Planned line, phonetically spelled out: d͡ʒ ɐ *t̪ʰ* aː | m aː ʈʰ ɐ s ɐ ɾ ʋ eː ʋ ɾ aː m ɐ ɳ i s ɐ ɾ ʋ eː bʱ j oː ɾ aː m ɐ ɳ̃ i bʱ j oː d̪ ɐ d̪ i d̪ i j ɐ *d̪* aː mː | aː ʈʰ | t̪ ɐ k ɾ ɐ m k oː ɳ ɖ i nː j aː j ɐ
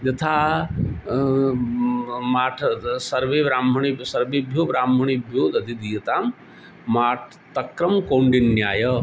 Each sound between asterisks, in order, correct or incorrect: correct, incorrect: t̪

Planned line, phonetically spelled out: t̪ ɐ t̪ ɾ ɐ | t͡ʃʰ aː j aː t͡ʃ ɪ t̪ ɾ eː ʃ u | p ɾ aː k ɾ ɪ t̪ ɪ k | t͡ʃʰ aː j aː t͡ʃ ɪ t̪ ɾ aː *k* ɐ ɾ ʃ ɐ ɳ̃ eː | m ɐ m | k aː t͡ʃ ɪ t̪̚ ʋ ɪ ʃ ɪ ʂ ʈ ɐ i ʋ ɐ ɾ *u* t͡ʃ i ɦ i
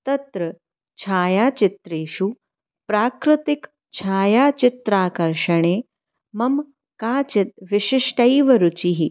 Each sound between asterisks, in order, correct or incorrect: correct, correct

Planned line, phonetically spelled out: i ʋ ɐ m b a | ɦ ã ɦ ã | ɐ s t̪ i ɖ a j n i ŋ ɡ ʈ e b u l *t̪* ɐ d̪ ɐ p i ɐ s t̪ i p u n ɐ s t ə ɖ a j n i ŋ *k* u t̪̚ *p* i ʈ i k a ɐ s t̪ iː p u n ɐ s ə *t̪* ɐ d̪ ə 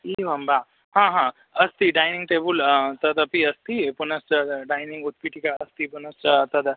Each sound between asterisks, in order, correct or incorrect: correct, incorrect: ɡ, correct, correct

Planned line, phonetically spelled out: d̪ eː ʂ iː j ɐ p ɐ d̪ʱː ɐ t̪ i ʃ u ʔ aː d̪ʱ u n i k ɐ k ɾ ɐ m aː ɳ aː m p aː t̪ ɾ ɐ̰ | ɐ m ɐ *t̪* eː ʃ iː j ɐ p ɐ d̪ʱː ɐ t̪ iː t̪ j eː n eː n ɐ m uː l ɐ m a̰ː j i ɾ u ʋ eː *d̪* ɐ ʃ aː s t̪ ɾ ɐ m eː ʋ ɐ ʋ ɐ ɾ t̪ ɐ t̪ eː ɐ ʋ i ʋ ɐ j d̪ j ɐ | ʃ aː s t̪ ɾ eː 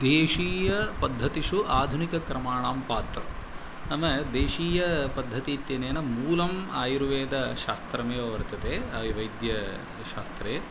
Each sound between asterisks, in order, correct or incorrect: incorrect: d̪, correct

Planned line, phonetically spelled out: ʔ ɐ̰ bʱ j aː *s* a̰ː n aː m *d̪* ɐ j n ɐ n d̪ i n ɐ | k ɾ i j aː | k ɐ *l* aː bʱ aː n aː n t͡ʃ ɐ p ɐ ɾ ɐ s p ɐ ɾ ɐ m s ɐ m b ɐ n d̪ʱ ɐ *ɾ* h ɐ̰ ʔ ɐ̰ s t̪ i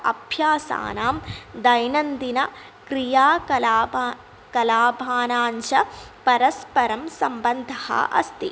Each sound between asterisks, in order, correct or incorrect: correct, correct, correct, incorrect: none

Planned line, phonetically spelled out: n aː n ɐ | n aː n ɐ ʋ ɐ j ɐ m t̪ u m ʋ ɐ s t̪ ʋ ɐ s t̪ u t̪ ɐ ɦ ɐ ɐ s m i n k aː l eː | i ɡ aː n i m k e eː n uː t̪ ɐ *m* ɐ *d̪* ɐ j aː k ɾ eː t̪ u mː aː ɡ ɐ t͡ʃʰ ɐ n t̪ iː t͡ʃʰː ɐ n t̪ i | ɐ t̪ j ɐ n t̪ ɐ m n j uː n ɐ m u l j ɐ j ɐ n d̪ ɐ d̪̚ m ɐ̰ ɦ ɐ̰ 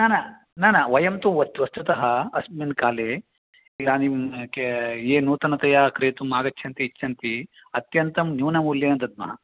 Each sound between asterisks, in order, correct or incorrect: incorrect: n, incorrect: t̪

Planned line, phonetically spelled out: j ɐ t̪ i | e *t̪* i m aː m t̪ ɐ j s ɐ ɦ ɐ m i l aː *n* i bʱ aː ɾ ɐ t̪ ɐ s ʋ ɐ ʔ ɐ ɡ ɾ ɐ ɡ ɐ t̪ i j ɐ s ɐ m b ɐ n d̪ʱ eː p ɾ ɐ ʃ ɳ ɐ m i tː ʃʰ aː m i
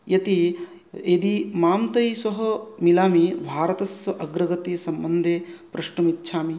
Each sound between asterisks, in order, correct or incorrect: incorrect: d̪, incorrect: m

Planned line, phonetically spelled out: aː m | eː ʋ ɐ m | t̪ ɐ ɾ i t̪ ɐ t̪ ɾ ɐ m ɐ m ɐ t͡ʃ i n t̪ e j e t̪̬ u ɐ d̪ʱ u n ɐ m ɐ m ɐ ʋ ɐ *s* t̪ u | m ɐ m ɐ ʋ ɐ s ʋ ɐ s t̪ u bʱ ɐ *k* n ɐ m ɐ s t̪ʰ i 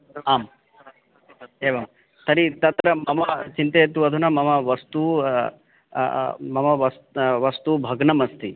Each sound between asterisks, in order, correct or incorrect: correct, incorrect: ɡ

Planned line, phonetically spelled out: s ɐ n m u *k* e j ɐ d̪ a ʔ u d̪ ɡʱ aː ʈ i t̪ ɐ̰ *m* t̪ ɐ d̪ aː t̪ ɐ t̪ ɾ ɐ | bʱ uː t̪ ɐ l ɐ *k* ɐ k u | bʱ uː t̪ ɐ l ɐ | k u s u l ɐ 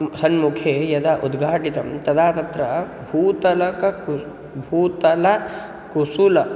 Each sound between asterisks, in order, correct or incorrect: incorrect: kʰ, correct, correct

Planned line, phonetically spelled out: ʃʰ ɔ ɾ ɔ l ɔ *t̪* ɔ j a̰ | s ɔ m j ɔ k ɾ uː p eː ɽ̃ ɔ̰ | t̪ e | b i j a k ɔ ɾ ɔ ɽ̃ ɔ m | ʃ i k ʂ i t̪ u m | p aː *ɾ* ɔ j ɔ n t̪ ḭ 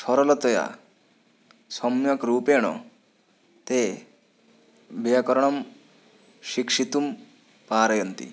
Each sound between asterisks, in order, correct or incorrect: correct, correct

